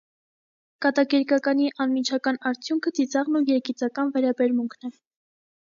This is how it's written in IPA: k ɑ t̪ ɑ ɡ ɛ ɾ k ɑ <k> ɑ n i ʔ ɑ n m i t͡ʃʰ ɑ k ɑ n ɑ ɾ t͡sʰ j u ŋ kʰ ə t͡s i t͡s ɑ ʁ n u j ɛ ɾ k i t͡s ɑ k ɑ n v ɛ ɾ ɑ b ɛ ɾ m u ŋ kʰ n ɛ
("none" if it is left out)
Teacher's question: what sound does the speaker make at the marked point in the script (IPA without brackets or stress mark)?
k